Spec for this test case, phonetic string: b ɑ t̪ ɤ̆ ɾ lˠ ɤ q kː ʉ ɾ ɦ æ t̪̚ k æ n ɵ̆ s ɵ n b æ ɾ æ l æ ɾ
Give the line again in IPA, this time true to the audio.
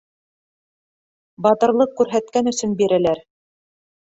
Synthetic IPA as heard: b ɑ t̪ ɤ̆ ɾ lˠ ɤ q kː ʉ ɾ ɦ æ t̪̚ k æ n ɵ̆ s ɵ n b i ɾ æ l æ ɾ